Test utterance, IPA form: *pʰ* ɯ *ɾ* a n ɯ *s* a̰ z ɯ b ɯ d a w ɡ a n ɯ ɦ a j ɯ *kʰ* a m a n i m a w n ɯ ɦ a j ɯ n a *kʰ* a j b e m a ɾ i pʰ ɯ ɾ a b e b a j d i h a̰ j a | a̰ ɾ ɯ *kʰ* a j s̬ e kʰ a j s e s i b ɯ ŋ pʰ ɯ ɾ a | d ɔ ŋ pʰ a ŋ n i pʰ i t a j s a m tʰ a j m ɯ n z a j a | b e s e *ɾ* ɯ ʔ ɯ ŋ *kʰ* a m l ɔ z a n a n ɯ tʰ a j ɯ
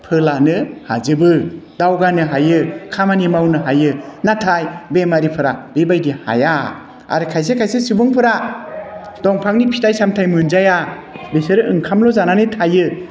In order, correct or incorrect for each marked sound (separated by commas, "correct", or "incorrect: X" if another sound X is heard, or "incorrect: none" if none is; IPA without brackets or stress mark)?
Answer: correct, incorrect: l, incorrect: h, correct, incorrect: tʰ, correct, correct, correct